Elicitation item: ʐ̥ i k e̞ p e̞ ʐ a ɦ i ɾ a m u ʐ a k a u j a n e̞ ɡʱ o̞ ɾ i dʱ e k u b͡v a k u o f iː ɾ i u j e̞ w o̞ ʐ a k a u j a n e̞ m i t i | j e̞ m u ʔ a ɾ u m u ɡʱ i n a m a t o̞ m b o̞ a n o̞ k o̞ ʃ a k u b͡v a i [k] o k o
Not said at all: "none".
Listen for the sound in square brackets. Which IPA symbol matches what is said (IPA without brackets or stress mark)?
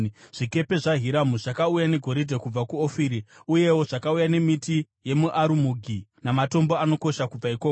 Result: k